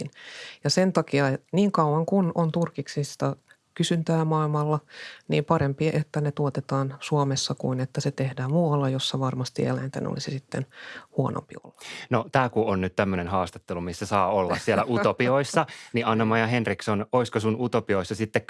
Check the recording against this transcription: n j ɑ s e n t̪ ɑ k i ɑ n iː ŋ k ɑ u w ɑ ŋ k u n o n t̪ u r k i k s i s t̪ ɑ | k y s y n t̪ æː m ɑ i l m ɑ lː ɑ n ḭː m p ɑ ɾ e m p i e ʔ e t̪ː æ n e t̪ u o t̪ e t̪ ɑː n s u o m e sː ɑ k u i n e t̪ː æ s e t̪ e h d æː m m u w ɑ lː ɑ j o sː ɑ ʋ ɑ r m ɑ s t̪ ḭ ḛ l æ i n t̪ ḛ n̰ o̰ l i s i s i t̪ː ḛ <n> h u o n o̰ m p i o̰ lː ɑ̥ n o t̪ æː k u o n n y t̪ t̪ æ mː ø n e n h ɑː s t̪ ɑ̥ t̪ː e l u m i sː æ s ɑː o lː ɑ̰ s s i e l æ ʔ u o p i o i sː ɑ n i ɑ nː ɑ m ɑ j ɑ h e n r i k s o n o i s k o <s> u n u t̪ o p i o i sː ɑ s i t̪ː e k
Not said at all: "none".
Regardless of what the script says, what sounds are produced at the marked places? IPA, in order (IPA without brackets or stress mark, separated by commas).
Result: n, s